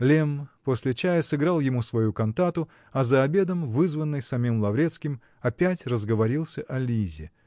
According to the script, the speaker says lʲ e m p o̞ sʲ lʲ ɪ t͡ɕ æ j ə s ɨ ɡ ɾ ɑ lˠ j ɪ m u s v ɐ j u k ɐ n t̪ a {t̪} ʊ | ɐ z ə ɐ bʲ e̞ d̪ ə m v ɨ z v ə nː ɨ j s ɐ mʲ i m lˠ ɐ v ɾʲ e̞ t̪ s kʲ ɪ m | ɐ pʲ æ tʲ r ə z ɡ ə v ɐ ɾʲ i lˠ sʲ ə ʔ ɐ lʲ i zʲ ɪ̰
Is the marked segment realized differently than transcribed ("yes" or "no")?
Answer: no